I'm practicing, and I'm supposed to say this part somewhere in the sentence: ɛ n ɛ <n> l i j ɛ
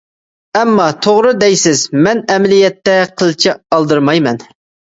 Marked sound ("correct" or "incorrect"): incorrect